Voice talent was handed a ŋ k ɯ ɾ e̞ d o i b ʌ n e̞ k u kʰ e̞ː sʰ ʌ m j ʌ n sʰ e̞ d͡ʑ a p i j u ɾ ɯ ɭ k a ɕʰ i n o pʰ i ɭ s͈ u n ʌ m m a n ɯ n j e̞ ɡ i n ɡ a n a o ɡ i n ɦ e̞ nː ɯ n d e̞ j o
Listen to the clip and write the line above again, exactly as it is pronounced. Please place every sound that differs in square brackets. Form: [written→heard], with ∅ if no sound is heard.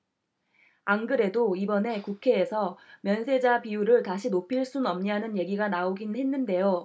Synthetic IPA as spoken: a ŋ [k→ɡ] ɯ ɾ e̞ d o i b ʌ n e̞ k u kʰ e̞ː sʰ ʌ m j ʌ n sʰ e̞ d͡ʑ a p i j u ɾ ɯ ɭ [k→t] a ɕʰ i n o pʰ i ɭ s͈ u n ʌ m [m→ɲ] a n ɯ n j e̞ ɡ i [n→∅] ɡ a n a o ɡ i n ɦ e̞ nː ɯ n d e̞ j o